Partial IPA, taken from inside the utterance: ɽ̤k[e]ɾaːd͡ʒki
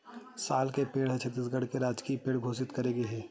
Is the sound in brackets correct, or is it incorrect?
correct